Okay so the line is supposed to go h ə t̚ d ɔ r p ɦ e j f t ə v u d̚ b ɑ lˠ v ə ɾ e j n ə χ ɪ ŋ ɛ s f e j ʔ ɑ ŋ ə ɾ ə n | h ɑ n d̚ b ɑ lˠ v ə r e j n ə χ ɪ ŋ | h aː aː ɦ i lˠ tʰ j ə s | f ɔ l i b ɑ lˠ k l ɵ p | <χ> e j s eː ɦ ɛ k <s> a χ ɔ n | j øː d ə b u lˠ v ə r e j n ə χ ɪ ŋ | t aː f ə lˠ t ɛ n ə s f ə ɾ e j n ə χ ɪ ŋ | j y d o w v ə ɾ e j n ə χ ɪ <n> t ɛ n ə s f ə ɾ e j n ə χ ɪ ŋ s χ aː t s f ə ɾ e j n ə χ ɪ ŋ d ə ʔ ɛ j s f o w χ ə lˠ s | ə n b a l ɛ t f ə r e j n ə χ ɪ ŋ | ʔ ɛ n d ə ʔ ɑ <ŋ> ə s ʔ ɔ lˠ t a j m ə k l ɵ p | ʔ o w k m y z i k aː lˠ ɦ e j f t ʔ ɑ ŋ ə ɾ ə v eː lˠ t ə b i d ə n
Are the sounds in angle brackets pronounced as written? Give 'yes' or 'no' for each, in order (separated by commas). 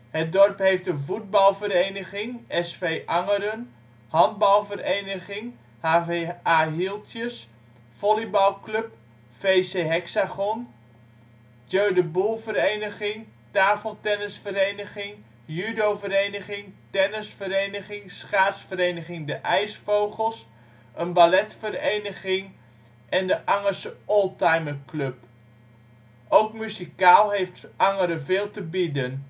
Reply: no, yes, no, yes